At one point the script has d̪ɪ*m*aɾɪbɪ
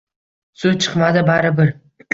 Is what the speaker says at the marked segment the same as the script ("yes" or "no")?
no